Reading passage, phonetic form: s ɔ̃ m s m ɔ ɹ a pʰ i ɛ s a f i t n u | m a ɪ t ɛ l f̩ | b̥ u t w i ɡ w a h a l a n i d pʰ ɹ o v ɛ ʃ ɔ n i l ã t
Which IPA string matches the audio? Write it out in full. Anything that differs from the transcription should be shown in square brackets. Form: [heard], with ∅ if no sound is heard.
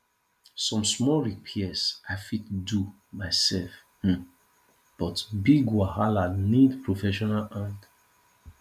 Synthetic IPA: s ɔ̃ m s m ɔ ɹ [i] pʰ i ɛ s a f i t [d] u | m a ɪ [s] ɛ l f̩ | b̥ [ɔ] t [b] i ɡ w a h a l a n i d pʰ ɹ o [f] ɛ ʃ ɔ n [a] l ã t